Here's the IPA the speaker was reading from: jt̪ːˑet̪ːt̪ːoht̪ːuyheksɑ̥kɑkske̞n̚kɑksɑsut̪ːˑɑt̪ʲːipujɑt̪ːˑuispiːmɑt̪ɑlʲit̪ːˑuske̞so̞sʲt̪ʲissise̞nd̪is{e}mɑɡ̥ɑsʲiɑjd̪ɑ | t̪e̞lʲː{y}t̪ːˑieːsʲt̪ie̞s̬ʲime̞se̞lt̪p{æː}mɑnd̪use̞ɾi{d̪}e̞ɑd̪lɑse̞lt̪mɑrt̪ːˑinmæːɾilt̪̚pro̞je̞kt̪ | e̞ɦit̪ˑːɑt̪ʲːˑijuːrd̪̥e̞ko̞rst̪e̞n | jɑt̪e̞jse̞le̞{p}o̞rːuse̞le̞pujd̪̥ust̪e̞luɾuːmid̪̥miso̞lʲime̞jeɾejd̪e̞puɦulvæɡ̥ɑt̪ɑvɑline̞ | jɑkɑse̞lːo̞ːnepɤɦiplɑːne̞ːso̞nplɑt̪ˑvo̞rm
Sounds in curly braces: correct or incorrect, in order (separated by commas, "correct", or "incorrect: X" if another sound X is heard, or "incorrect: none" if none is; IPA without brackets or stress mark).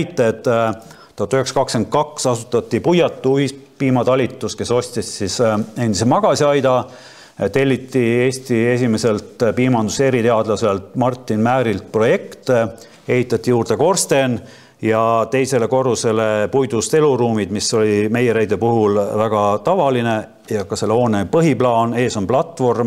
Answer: correct, incorrect: i, incorrect: iː, incorrect: t̪, incorrect: k